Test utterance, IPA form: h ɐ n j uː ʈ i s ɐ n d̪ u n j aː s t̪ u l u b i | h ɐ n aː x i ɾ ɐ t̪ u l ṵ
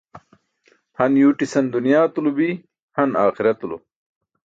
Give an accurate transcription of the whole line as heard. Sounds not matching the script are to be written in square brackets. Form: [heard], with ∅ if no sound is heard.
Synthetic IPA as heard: h ɐ n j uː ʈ i s ɐ n d̪ u n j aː [∅] t̪ u l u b i | h ɐ n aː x i ɾ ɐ t̪ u l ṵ